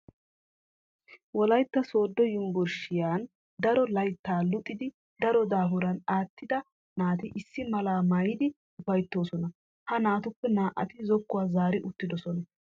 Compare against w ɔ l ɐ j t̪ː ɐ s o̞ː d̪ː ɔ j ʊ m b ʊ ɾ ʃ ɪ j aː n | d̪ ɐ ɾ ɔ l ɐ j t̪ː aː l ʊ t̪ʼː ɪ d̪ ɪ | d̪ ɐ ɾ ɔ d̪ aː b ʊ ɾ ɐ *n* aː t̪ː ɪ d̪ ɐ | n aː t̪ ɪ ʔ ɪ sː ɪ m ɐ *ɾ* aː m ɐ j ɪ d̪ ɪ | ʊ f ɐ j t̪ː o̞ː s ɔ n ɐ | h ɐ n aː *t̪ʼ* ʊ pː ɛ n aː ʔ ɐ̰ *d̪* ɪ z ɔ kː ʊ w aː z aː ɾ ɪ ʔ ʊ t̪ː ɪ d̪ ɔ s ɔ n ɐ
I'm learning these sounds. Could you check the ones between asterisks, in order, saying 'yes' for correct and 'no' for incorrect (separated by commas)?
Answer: yes, no, no, no